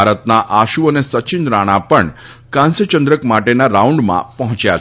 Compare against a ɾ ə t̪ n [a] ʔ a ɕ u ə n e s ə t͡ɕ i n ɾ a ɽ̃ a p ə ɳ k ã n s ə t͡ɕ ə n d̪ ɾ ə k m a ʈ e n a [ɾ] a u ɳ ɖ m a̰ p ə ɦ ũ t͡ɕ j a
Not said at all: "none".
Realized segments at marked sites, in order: a, ɾ

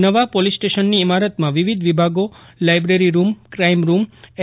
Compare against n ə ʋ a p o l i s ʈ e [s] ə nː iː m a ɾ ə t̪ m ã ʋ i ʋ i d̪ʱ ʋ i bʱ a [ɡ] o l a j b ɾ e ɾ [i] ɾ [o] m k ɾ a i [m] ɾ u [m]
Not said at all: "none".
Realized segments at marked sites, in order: ʃ, ɡ, i, u, m, m

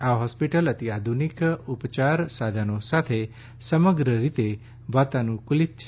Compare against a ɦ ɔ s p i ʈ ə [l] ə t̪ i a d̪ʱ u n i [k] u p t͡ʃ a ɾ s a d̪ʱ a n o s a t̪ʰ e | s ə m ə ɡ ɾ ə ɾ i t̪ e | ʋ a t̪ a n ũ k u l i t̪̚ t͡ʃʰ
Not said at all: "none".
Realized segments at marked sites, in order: l, k

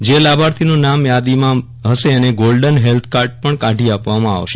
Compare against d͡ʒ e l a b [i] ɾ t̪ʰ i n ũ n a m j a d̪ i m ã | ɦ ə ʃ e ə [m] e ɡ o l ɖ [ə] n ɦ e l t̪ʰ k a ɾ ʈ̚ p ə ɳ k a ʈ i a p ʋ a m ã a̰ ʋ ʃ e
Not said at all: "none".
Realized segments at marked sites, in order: a, n, ə

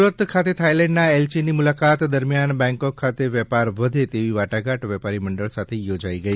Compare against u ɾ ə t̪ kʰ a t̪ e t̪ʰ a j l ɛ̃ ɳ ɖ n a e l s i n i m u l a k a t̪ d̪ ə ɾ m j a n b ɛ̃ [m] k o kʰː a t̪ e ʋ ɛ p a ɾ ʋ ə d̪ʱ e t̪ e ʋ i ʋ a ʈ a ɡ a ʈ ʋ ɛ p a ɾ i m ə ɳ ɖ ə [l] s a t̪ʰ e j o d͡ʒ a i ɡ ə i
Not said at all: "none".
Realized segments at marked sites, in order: ŋ, ɭ

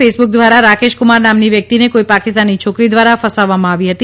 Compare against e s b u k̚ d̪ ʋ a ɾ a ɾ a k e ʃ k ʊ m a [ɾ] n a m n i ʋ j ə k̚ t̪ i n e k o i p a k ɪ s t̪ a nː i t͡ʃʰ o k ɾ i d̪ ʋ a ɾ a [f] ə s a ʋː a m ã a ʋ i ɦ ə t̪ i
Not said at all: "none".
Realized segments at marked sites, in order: ɾ, f

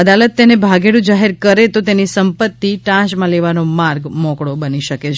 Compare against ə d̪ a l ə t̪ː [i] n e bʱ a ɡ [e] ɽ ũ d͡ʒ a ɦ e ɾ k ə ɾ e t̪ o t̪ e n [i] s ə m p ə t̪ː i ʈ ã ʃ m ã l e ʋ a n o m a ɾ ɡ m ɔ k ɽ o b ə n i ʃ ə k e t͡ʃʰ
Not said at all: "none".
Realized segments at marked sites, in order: e, e, i

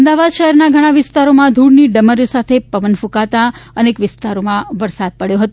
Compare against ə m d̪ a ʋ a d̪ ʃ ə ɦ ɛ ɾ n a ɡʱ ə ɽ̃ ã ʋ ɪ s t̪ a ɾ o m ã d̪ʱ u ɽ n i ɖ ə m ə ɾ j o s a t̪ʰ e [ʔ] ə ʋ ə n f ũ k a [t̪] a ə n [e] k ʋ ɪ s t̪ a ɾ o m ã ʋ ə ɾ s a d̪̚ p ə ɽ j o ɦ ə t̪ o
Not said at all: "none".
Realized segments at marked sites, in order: p, t̪, e

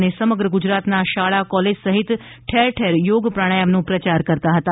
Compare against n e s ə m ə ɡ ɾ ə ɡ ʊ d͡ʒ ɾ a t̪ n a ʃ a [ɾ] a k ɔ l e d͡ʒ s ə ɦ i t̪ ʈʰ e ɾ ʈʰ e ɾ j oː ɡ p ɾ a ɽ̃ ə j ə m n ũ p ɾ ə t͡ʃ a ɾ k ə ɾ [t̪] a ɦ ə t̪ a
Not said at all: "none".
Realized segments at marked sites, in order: ɭ, t̪

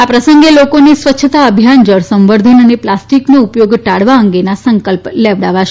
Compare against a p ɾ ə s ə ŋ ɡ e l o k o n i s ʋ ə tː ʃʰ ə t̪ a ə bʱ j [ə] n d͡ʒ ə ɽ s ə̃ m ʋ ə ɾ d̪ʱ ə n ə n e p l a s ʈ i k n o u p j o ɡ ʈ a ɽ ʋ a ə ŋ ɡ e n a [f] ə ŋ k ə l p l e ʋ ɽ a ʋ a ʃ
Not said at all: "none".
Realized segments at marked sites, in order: a, s

